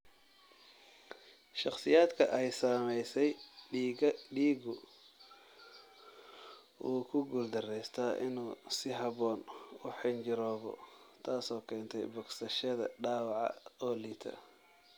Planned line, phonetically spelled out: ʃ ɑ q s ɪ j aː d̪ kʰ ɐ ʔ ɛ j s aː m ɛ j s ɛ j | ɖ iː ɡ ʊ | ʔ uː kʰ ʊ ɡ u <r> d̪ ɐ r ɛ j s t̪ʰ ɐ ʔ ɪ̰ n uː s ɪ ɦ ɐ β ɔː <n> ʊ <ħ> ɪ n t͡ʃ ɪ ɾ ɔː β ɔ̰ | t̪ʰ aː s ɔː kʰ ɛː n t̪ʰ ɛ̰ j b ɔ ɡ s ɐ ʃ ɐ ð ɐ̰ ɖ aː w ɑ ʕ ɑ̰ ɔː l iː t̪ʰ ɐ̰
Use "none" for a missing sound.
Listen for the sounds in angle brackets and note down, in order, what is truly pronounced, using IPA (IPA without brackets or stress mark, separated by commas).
l, n, ħ